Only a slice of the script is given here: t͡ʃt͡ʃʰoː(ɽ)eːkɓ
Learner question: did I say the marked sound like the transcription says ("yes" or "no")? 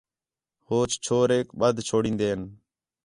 no